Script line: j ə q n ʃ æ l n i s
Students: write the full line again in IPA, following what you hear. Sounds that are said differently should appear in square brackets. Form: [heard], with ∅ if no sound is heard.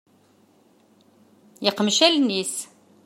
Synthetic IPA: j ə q [m] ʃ æ l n i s